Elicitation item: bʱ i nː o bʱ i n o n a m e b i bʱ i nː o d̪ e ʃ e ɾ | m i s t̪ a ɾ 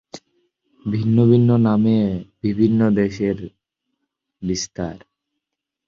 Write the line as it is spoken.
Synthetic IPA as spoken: bʱ i nː o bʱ i nː o n a m e b i bʱ i nː o d̪ e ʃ e ɾ | b i s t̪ a ɾ